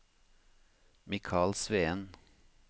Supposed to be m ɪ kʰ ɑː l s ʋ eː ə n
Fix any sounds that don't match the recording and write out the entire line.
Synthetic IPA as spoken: m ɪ kʰ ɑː l s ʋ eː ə n

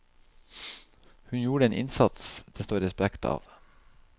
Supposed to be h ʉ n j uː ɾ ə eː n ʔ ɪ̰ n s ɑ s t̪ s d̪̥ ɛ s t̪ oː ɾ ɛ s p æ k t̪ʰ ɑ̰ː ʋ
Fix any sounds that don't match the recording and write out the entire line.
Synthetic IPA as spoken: h ʉ n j uː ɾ ə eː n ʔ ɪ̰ n s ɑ t̪ s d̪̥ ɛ s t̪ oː ɾ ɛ s p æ k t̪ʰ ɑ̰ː ʋ

